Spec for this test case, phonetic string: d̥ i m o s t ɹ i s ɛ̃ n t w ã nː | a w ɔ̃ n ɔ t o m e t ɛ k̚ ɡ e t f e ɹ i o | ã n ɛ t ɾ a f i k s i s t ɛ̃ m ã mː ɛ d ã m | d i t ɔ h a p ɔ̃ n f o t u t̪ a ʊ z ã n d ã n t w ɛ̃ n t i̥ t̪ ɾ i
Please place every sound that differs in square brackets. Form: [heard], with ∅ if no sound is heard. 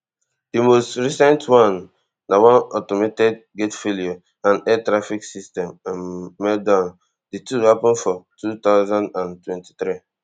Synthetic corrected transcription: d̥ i m o s t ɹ i s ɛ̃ n t w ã nː | a w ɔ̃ n ɔ t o m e t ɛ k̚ ɡ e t f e [l] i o | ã n ɛ t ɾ a f i k s i s t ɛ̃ m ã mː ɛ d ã [n] | d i t [u] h a p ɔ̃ n f [ɔ] t u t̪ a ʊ z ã n d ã n t w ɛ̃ n t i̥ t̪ ɾ i